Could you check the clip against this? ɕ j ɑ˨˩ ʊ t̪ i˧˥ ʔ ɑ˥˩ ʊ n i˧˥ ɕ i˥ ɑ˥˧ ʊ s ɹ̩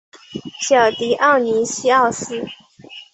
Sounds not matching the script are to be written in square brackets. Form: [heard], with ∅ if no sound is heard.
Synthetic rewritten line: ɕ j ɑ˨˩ ʊ t̪ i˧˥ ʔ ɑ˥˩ ʊ n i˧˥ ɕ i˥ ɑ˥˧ ʊ s ɹ̩